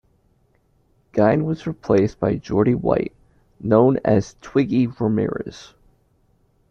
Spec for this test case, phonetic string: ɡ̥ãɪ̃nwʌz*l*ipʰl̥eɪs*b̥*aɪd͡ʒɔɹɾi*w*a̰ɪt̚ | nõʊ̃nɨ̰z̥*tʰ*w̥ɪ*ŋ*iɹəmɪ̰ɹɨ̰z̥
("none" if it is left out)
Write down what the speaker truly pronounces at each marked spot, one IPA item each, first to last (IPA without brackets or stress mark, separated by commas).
ɹ, b̥, w, tʰ, ɡ